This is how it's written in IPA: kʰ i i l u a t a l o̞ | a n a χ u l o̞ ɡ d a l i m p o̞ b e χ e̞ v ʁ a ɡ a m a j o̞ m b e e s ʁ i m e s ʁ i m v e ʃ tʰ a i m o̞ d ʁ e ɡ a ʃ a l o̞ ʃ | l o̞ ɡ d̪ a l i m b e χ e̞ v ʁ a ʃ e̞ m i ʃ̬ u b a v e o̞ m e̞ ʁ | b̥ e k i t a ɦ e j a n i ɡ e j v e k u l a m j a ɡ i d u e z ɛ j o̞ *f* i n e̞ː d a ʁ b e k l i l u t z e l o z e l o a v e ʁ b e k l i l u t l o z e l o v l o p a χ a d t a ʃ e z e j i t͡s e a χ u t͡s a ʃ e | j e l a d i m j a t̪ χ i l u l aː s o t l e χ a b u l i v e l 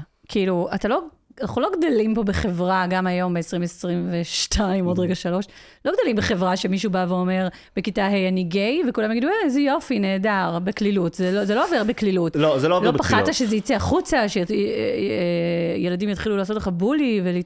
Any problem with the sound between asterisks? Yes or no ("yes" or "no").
no